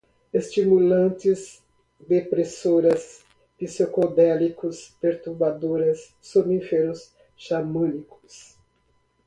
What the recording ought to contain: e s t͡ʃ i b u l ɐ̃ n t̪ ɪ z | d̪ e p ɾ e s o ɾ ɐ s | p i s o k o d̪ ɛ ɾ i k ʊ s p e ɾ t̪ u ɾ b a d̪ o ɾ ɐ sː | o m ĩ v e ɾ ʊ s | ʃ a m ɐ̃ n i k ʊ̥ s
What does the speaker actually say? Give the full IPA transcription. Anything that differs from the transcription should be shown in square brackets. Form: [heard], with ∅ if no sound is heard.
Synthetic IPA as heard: e s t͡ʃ i [m] u l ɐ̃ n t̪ ɪ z | d̪ e p ɾ e s o ɾ ɐ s | p i s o k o d̪ ɛ [l] i k ʊ s p e ɾ t̪ u ɾ b a d̪ o ɾ ɐ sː | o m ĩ [f] e ɾ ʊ s | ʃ a m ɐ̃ n i k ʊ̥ s